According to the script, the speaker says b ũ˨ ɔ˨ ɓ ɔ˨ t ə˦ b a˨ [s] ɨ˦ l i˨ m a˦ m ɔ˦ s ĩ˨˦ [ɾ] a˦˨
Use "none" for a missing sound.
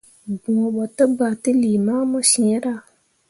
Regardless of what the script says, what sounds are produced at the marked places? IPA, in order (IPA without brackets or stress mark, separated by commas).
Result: t, ɾ